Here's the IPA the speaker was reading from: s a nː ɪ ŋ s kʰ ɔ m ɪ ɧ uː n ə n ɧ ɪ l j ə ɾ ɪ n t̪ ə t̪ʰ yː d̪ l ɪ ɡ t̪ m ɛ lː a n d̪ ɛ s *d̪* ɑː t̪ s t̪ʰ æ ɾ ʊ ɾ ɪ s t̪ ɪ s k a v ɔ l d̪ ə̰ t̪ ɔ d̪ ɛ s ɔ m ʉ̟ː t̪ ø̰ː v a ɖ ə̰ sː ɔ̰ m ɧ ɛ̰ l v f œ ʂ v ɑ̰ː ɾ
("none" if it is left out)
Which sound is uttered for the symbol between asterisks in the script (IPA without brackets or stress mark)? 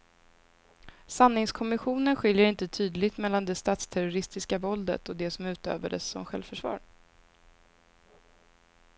t̪